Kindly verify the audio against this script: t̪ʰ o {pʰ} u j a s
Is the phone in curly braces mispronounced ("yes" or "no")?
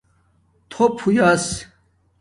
no